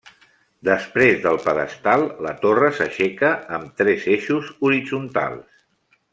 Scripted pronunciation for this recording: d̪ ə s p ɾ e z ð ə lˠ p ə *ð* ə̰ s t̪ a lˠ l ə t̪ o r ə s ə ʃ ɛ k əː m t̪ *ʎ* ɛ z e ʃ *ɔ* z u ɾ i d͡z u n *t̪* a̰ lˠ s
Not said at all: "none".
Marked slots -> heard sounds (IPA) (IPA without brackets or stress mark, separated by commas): ð, ɾ, u, t̪